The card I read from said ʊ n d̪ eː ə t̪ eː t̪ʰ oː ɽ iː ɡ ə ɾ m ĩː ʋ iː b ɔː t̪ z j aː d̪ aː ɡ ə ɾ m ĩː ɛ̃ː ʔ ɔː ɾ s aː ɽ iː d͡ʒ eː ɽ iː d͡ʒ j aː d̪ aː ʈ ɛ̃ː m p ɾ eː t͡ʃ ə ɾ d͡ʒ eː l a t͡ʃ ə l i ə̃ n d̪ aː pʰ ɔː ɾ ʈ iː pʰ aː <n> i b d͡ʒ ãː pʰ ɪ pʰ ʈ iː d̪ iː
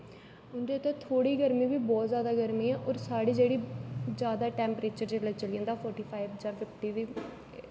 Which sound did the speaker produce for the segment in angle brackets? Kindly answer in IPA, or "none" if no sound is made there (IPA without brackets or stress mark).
none